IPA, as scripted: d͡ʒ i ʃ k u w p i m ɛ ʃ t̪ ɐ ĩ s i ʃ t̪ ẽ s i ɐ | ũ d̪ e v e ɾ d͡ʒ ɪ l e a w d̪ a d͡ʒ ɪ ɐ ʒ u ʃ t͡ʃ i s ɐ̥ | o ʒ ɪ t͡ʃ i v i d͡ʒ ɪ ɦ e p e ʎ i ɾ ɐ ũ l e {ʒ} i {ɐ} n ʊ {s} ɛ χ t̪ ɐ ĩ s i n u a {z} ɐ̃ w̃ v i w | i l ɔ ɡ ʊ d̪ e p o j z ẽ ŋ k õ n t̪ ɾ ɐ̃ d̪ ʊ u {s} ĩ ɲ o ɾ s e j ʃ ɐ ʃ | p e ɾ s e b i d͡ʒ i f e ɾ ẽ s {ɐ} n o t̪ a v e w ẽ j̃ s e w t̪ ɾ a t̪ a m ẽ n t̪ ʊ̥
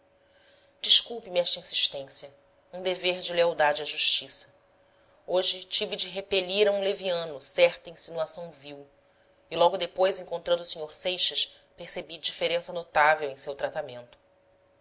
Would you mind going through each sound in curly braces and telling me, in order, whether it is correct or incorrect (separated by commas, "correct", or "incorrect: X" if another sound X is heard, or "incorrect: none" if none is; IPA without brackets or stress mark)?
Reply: incorrect: v, incorrect: ɐ̃, correct, incorrect: s, correct, correct